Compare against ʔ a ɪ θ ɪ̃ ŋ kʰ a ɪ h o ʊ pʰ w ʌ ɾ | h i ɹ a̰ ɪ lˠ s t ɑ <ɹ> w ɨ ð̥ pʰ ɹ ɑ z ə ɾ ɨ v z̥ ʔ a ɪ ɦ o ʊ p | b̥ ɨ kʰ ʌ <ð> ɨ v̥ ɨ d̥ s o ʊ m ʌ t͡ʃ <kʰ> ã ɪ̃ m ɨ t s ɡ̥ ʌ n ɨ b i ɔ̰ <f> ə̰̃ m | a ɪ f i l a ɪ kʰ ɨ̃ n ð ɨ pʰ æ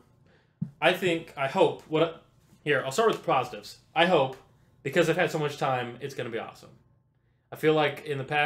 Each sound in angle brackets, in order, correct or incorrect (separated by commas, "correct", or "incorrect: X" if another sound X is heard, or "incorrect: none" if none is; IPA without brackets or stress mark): correct, incorrect: z, incorrect: tʰ, incorrect: s